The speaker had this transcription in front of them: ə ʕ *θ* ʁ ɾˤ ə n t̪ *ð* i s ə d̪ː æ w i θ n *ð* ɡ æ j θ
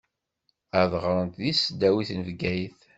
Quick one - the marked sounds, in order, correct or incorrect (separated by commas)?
incorrect, correct, incorrect